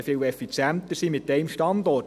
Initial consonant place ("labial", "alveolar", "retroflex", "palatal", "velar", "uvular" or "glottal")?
labial